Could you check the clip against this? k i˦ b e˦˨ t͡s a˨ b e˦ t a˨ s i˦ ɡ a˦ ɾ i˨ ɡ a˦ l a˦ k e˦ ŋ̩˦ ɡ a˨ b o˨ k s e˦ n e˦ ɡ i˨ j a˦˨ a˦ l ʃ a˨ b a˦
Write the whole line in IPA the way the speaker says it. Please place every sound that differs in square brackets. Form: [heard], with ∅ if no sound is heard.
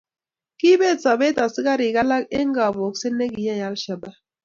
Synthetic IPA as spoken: k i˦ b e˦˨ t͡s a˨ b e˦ t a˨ s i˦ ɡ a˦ ɾ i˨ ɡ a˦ l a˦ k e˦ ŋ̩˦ ɡ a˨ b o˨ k s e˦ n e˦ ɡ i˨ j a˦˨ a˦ l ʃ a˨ b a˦

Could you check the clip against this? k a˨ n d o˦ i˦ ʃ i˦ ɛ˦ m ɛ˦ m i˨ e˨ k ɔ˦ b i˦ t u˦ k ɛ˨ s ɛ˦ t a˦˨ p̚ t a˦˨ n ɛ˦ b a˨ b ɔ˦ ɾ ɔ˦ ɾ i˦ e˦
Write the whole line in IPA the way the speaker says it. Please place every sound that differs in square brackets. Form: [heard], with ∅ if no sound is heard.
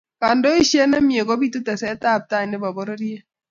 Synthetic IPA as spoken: k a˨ n d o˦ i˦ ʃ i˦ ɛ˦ [n] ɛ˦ m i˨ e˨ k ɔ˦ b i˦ t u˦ [t] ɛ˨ s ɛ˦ t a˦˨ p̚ t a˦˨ n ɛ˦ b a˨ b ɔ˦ ɾ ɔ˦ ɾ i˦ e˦

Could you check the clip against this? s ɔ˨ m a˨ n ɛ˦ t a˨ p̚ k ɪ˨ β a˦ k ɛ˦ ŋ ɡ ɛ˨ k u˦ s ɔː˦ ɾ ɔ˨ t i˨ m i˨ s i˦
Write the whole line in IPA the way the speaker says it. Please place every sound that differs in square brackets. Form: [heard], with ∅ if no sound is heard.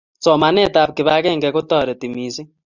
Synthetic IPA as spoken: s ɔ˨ m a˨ n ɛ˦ t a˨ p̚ k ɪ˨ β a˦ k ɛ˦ ŋ ɡ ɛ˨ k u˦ [t] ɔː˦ ɾ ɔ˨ t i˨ m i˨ s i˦

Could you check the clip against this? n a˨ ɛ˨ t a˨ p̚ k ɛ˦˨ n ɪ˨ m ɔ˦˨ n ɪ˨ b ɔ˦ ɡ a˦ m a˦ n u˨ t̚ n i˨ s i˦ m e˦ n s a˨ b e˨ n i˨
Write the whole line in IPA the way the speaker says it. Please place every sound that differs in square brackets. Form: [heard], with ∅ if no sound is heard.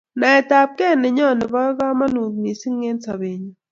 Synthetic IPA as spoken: n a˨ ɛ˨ t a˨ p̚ k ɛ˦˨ n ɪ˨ [ɲ] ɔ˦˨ n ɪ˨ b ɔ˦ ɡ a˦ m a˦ n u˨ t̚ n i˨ s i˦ [ŋ] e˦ n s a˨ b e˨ [ɲ] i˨

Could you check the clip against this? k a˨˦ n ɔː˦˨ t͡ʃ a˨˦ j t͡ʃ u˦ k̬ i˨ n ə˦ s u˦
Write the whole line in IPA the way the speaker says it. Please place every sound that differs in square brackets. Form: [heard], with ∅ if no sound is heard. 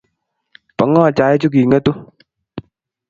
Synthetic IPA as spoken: [p] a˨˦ [ŋ] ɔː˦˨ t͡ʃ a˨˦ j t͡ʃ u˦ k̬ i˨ [ŋ] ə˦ [t] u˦

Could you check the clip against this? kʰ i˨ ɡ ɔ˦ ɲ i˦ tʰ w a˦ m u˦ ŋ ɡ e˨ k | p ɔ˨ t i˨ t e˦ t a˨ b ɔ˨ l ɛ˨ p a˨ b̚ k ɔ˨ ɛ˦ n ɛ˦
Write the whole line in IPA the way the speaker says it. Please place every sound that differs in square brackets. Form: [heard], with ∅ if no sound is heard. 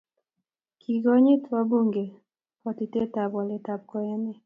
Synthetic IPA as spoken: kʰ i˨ ɡ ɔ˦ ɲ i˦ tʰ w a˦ [b] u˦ ŋ ɡ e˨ [∅] | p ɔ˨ t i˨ t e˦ t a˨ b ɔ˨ l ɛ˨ [t] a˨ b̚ k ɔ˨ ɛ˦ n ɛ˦

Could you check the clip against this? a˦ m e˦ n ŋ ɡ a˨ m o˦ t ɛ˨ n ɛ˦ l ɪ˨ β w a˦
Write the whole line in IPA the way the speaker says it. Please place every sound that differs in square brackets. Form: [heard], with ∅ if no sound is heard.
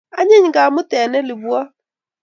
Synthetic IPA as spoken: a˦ [ɲ] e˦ [ɲ] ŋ ɡ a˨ m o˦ t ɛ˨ n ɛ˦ l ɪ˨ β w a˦

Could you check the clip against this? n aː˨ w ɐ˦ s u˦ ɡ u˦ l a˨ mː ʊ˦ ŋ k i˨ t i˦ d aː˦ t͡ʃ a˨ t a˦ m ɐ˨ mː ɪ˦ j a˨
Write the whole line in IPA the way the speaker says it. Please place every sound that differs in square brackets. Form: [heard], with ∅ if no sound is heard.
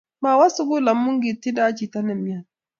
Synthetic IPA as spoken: [m] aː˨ w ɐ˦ s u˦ ɡ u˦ l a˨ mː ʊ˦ ŋ [ɡ] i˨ t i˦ d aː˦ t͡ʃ [i˨] t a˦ [n] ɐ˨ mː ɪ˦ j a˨

